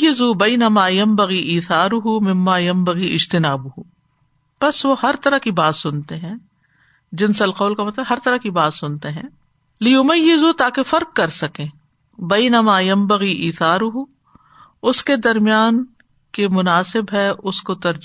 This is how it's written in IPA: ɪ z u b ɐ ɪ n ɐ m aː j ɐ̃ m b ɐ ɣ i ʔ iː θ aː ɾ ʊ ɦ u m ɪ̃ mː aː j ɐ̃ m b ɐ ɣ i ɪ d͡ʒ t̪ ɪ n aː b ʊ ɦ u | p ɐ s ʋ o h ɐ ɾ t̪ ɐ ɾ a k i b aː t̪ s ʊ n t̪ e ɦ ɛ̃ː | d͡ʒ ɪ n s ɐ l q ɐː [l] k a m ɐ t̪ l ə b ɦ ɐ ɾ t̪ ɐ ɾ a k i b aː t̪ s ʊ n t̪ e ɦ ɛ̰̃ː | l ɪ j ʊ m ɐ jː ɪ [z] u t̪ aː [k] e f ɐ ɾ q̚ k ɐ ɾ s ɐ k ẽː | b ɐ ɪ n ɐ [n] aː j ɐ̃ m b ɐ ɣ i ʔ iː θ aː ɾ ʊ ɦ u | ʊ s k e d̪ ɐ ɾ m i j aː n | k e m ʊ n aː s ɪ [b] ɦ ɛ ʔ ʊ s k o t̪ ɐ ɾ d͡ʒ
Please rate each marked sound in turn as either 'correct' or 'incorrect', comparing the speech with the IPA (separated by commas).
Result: correct, correct, correct, incorrect, correct